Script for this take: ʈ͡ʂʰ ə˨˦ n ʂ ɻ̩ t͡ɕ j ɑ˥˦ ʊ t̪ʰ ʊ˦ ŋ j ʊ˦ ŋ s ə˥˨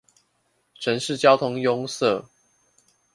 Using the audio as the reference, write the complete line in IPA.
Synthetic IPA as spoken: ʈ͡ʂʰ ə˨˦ n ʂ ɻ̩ t͡ɕ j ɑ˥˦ ʊ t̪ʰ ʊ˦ ŋ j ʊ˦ ŋ s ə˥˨

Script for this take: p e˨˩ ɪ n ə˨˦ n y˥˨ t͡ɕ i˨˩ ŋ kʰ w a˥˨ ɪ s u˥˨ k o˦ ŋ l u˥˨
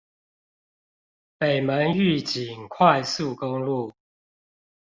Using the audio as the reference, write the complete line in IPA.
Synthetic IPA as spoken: p e˨˩ ɪ m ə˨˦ n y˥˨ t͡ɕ i˨˩ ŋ kʰ w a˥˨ ɪ s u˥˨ k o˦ ŋ l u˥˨

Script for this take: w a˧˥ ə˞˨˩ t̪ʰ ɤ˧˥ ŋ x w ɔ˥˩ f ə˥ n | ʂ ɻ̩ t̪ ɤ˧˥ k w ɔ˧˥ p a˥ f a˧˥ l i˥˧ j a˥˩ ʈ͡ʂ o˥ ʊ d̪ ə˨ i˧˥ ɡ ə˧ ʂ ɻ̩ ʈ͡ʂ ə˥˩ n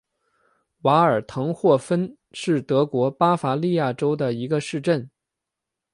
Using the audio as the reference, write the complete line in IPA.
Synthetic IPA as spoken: w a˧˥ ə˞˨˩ t̪ʰ ɤ˧˥ ŋ x w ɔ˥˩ f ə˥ n | ʂ ɻ̩ t̪ ɤ˧˥ k w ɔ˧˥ p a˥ f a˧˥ l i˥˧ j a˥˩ ʈ͡ʂ o˥ ʊ d̪ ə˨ i˧˥ ɡ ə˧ ʂ ɻ̩ ʈ͡ʂ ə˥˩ n

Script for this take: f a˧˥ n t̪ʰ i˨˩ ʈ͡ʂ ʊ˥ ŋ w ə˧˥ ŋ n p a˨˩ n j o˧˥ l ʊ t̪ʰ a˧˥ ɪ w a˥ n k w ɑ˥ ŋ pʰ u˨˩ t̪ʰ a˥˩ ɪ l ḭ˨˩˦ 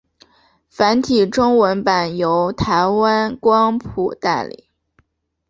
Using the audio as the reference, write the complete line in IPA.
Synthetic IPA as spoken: f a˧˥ n t̪ʰ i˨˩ ʈ͡ʂ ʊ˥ ŋ w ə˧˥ n p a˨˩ n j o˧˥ ʊ t̪ʰ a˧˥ ɪ w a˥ n k w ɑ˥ ŋ pʰ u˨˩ t̪ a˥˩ ɪ l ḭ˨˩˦

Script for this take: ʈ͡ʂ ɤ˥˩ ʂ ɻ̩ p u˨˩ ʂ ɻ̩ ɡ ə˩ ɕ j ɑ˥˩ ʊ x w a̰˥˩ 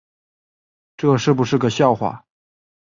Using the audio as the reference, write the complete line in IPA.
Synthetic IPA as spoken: ʈ͡ʂ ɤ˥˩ ʂ ɻ̩ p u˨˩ ʂ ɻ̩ ɡ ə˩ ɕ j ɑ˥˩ ʊ x w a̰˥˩

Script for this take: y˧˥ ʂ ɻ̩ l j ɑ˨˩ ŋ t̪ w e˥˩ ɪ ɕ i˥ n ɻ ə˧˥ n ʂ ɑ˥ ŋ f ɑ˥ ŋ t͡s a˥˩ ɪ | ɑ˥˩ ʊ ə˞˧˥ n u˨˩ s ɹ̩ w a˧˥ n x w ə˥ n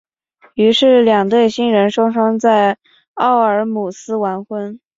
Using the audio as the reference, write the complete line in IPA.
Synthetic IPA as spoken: y˧˥ ʂ ɻ̩ l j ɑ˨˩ ŋ t̪ w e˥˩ ɪ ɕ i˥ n ɻ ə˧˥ n ʂ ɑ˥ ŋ ʂ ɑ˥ ŋ t͡s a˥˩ ɪ | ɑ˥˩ ʊ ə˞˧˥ m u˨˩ s ɹ̩ w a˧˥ n x w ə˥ n

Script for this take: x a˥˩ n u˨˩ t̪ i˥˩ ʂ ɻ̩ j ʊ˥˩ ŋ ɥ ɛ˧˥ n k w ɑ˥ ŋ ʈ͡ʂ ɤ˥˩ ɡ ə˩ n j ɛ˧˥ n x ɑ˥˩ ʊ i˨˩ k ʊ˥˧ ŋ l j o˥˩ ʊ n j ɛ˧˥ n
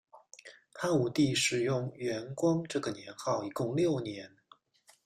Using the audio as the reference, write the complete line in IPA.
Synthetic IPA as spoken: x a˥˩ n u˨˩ t̪ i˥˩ ʂ ɻ̩ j ʊ˥˩ ŋ ɥ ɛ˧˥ n k w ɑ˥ ŋ ʈ͡ʂ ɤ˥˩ ɡ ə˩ n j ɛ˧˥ n x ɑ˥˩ ʊ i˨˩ k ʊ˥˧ ŋ l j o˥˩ ʊ n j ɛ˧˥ n

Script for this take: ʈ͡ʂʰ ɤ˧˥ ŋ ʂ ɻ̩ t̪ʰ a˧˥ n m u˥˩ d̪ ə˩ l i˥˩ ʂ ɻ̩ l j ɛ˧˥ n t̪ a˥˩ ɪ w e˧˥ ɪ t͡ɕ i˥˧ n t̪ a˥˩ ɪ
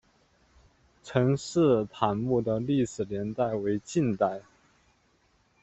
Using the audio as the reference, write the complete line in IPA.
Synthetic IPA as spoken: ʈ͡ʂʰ ɤ˧˥ ŋ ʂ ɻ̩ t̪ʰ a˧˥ n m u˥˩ d̪ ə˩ l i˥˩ ʂ ɻ̩ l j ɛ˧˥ n t̪ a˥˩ ɪ w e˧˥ ɪ t͡ɕ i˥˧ n t̪ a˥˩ ɪ

